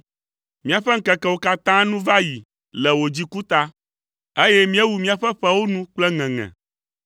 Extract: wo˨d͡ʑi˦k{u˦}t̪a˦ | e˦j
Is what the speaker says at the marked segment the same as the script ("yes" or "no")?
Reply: yes